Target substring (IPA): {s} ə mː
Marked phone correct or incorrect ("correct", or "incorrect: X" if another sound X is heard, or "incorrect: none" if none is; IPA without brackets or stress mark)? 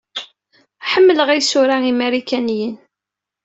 incorrect: ħ